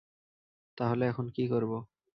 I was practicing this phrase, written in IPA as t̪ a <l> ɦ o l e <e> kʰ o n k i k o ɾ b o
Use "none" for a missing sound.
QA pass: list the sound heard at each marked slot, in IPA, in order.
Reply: none, ɛ

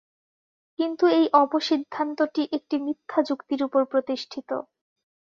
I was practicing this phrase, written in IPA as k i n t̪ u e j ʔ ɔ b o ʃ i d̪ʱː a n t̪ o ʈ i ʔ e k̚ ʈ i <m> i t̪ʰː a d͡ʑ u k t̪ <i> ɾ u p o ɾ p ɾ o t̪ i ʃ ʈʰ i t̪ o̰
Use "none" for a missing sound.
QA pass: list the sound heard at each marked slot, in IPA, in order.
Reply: m, i

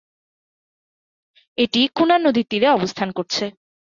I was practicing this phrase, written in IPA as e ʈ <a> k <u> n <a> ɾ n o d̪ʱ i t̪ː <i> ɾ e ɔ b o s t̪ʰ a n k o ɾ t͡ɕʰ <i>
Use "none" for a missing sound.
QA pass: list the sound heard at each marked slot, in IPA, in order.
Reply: i, u, a, i, e

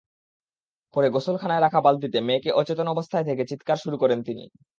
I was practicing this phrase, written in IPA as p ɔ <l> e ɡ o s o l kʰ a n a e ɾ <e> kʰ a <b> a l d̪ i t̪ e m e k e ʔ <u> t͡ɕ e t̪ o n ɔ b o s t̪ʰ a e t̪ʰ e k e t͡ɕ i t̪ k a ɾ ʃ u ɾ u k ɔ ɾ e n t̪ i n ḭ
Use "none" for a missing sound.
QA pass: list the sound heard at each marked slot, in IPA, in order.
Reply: ɾ, a, b, ɔ

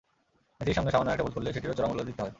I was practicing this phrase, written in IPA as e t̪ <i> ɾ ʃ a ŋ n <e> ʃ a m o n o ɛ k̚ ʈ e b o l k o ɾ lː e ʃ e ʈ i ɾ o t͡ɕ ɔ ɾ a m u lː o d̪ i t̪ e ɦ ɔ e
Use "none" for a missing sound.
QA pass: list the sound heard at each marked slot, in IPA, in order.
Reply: i, e

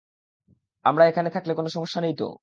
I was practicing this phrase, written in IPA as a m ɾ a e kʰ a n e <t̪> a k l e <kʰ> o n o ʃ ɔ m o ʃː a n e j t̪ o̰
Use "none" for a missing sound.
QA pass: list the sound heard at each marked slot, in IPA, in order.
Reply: t̪ʰ, k

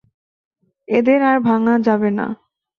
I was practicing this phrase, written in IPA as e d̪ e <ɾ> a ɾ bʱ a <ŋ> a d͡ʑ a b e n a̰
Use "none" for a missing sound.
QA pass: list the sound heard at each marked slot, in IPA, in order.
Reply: ɾ, ŋ

